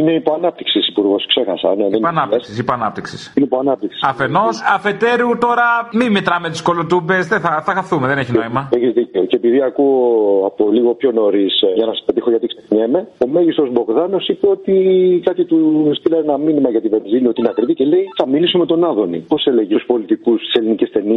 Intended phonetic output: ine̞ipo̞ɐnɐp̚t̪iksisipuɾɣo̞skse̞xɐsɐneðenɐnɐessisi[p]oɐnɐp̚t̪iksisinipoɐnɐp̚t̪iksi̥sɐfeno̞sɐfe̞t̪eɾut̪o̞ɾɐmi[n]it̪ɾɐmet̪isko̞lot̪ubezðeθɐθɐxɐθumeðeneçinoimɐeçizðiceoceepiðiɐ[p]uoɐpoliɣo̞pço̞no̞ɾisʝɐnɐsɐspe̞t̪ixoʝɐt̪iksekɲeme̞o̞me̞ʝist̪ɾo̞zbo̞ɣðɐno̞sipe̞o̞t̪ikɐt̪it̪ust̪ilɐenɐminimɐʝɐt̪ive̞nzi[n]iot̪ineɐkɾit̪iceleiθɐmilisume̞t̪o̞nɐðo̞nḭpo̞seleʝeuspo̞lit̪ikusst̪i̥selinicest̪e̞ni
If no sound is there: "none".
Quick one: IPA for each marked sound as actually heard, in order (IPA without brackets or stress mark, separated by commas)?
p, m, k, n